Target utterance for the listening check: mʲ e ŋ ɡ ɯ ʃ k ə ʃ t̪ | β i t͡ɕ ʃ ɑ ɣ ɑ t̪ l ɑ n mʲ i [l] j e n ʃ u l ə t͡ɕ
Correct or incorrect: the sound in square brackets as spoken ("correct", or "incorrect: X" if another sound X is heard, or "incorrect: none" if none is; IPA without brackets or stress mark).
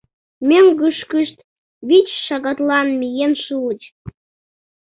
incorrect: none